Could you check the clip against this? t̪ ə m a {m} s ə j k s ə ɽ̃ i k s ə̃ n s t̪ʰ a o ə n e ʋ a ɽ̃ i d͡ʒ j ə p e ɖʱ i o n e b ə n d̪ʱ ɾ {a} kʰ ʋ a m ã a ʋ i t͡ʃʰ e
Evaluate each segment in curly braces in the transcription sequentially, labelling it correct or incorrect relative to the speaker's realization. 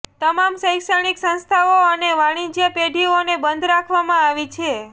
correct, correct

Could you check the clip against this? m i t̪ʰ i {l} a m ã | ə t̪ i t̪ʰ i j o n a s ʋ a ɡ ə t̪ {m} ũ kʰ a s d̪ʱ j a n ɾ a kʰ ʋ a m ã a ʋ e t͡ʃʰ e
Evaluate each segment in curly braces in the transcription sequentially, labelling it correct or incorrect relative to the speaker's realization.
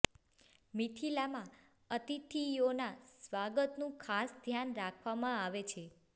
correct, incorrect

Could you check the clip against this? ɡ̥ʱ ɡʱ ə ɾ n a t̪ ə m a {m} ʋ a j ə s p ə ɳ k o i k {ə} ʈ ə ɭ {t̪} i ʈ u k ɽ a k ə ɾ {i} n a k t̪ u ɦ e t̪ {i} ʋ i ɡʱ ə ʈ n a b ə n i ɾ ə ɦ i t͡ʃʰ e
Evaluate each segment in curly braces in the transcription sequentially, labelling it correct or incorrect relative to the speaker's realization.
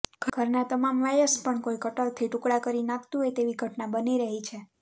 correct, correct, incorrect, correct, incorrect

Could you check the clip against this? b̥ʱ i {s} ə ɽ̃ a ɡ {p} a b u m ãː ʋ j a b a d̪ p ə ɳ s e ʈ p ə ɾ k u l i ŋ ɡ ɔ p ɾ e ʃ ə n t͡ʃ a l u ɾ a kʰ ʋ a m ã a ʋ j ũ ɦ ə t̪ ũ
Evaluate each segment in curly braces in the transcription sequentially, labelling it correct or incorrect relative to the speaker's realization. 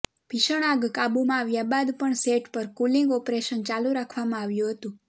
incorrect, incorrect

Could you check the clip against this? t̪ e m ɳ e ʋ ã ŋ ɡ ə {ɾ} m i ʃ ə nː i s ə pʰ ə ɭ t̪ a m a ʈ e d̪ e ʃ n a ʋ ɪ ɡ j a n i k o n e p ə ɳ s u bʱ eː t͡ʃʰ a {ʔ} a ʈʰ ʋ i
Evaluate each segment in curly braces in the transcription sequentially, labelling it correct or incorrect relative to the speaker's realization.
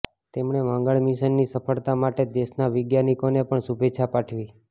incorrect, incorrect

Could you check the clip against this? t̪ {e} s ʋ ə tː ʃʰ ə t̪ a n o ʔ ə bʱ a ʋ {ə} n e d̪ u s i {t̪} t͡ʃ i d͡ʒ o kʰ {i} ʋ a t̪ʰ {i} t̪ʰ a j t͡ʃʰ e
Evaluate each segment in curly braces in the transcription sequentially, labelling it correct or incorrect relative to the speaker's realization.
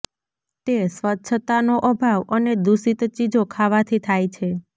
correct, correct, correct, incorrect, correct

